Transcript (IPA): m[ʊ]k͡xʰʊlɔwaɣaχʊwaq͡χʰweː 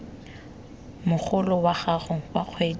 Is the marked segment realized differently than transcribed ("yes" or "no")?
no